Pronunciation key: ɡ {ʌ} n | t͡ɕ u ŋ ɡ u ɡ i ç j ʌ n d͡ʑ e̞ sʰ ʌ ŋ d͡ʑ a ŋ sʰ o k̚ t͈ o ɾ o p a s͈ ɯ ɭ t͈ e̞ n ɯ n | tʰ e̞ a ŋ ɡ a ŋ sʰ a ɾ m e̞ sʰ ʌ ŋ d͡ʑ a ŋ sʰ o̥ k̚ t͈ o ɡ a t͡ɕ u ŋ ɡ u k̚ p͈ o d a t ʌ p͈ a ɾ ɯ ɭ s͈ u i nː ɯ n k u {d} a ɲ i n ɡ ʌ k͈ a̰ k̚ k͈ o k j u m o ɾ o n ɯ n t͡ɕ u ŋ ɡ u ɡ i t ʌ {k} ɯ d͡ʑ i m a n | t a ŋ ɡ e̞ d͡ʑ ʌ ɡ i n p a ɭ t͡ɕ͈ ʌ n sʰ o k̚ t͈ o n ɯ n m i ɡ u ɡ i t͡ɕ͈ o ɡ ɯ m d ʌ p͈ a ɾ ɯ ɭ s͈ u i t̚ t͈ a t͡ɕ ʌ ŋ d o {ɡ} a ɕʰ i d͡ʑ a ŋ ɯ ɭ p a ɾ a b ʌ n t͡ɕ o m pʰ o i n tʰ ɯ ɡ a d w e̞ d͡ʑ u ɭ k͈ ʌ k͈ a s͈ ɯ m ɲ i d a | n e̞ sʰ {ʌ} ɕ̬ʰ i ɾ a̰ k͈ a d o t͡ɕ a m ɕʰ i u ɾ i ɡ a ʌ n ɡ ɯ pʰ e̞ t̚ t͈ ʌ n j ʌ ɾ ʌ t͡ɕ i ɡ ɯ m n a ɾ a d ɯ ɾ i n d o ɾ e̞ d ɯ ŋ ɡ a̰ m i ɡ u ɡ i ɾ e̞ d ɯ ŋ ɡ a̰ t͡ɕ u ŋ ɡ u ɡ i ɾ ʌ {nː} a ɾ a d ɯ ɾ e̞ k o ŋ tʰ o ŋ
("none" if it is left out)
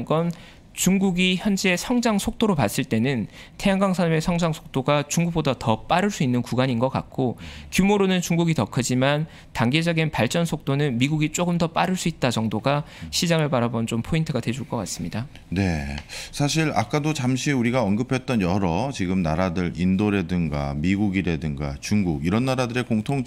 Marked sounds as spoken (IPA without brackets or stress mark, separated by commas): ʌ, ɡ, kʰ, ɡ, a, nː